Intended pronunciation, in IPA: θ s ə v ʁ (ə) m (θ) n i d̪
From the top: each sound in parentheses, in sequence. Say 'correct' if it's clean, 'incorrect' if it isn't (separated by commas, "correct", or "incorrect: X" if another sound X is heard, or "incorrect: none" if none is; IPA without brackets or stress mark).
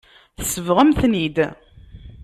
correct, correct